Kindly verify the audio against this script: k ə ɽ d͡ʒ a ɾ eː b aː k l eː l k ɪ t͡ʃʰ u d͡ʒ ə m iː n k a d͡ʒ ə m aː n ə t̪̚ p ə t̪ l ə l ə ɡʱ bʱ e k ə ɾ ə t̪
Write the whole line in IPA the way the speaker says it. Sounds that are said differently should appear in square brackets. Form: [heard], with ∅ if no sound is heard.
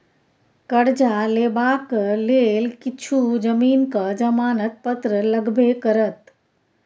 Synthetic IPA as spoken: k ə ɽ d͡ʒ a [l] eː b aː k l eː l k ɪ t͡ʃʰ u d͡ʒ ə m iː n k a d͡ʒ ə m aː n ə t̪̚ p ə t̪ [ɾ] ə l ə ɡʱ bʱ e k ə ɾ ə t̪